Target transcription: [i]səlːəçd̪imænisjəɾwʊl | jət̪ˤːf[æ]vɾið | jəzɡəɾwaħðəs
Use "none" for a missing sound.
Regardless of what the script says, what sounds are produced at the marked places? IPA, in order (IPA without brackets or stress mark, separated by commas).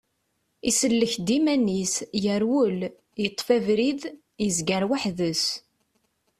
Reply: i, æ